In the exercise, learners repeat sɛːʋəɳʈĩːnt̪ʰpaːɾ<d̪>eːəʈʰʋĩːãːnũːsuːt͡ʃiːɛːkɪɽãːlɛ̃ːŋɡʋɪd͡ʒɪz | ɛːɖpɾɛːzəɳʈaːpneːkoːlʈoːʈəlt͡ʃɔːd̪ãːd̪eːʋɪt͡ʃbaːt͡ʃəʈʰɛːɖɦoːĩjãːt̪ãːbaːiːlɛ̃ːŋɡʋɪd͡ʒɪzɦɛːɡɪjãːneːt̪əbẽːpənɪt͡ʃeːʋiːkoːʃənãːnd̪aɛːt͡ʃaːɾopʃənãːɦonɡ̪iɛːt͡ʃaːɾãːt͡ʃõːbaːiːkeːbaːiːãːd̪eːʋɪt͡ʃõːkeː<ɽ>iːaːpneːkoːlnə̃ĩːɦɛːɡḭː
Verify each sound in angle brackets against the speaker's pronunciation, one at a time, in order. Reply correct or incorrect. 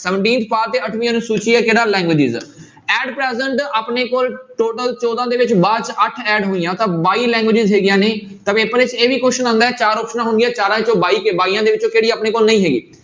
incorrect, correct

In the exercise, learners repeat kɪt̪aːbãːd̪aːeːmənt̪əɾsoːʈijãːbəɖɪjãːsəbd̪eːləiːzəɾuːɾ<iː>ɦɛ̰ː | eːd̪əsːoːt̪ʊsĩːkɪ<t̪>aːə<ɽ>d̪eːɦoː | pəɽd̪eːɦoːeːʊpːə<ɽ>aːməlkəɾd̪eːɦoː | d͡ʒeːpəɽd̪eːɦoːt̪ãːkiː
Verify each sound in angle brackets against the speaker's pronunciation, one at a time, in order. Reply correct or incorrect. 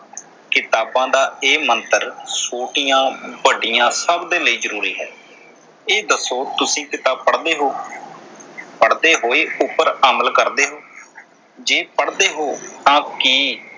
correct, correct, correct, incorrect

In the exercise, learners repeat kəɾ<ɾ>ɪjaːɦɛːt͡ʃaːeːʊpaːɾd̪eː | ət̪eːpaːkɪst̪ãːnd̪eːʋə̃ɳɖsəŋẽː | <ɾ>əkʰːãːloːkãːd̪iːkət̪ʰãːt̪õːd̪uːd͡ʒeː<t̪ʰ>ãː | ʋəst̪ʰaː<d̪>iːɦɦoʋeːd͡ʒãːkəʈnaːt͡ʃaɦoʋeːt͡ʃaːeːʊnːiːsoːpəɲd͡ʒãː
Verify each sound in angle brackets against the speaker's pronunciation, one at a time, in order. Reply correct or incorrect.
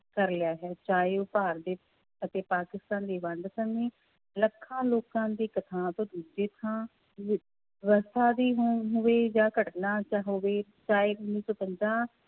incorrect, incorrect, correct, correct

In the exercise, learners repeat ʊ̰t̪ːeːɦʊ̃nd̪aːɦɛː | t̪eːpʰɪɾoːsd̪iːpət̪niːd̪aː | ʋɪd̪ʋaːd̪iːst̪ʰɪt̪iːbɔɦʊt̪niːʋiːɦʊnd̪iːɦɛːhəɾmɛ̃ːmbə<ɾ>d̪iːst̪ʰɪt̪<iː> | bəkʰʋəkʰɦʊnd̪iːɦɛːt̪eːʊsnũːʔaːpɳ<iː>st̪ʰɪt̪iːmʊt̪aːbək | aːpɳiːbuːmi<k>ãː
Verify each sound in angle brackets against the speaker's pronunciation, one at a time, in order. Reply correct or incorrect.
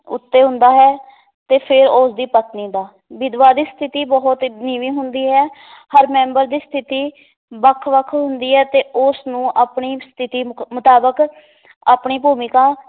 correct, correct, correct, correct

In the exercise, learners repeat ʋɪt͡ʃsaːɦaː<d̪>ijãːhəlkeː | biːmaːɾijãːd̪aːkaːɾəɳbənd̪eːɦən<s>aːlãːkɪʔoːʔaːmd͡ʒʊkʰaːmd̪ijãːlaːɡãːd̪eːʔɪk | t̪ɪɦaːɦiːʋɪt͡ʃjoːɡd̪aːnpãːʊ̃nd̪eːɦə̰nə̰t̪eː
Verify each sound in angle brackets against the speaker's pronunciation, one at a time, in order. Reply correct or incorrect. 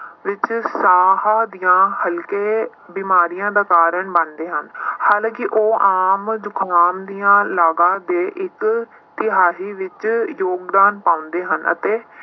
correct, incorrect

